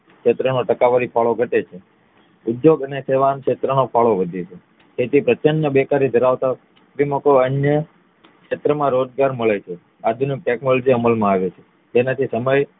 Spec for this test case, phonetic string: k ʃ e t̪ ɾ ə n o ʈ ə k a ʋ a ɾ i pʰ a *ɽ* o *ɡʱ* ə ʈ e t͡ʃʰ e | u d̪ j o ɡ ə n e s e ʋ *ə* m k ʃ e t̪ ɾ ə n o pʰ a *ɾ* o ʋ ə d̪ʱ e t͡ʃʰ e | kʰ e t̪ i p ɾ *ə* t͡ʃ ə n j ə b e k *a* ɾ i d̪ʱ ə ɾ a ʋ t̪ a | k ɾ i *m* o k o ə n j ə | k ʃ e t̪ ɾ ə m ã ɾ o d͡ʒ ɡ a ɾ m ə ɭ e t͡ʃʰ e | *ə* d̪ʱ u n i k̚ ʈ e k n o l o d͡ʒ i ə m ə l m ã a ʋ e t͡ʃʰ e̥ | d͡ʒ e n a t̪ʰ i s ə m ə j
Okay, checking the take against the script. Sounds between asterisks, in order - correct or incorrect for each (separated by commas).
incorrect, correct, incorrect, incorrect, correct, correct, correct, incorrect